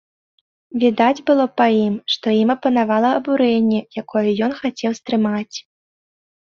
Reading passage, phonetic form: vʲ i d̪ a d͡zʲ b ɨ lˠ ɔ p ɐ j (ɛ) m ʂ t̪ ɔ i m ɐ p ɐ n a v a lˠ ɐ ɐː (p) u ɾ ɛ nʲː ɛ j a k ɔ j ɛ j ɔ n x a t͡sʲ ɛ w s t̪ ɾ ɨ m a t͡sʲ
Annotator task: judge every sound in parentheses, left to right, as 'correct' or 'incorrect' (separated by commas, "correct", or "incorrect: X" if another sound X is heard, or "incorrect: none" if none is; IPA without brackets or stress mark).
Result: incorrect: i, incorrect: b